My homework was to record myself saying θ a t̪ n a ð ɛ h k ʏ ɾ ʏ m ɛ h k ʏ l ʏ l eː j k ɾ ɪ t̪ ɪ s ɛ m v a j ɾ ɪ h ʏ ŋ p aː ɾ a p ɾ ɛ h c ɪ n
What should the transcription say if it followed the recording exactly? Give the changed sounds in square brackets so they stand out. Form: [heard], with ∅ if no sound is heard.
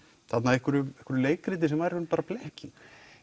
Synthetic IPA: θ a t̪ n a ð ɛ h k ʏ ɾ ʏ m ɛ h k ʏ [ɾ] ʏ l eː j k ɾ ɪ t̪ ɪ s ɛ m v a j ɾ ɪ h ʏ [n] p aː ɾ a p [l] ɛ h c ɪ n